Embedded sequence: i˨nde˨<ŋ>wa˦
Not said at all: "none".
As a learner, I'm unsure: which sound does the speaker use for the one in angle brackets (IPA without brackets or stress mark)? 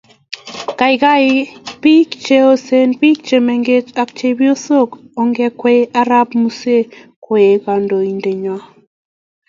ɲ